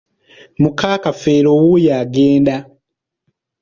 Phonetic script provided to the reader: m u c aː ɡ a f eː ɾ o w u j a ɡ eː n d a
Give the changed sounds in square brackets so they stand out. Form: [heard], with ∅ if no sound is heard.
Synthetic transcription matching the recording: m u [k] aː [k] a f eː ɾ o w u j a ɡ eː n d a